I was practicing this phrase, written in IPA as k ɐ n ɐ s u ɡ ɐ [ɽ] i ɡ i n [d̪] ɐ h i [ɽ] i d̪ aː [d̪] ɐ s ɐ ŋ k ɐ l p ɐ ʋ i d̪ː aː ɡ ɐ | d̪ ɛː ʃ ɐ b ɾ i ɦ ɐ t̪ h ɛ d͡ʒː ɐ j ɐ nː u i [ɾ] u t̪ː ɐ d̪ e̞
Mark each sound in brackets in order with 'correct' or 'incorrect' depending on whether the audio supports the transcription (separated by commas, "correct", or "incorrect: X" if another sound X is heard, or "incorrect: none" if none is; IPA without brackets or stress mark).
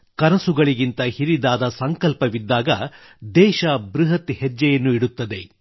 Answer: incorrect: ɭ, incorrect: t̪, incorrect: ɾ, correct, incorrect: ɽ